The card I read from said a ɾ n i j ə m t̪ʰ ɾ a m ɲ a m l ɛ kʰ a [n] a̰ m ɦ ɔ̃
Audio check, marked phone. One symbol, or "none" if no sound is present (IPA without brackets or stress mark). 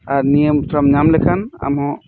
n